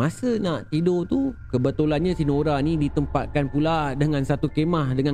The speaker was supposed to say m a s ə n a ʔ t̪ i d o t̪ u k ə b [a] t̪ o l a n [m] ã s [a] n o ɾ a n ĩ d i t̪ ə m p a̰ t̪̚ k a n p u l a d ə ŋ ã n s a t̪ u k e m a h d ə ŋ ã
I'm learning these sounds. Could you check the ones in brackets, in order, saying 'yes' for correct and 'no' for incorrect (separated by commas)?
no, no, no